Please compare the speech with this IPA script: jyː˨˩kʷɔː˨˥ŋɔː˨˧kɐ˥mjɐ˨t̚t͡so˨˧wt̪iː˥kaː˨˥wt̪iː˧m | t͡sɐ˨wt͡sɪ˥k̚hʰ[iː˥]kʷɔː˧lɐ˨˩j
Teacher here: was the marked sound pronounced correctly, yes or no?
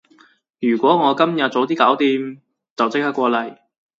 no